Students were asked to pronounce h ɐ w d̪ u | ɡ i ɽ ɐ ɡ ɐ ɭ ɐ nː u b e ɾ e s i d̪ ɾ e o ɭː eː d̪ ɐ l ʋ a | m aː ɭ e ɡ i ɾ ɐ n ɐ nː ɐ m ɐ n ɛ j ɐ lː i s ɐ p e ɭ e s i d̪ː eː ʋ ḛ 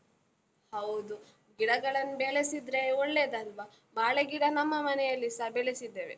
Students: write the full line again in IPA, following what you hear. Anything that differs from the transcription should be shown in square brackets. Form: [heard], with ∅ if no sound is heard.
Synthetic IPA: h ɐ w d̪ u | ɡ i ɽ ɐ ɡ ɐ ɭ ɐ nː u b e [ɭ] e s i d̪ ɾ e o ɭː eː d̪ ɐ l ʋ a | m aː ɭ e ɡ i [ɽ] ɐ n ɐ [mː] ɐ m ɐ n ɛ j ɐ lː i s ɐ [b] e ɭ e s i d̪ː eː ʋ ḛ